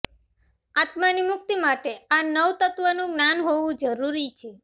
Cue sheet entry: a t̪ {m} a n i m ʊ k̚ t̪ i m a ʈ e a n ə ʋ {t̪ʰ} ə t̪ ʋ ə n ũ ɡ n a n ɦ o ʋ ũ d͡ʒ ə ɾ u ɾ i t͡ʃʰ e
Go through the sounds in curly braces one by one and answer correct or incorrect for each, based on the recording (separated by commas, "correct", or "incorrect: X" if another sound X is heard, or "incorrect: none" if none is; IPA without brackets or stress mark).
correct, incorrect: t̪